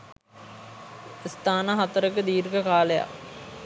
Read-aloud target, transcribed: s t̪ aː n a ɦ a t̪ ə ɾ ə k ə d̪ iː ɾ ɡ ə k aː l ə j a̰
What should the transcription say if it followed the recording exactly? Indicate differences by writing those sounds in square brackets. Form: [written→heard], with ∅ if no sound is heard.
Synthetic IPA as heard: s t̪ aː n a ɦ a t̪ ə ɾ ə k ə d̪ iː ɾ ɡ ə k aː l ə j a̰